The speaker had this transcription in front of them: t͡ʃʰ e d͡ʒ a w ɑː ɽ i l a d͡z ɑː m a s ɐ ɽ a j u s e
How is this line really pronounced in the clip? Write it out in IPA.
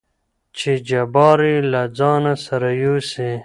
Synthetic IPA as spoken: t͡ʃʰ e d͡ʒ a b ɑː ɾ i l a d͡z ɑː n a s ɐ ɾ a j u s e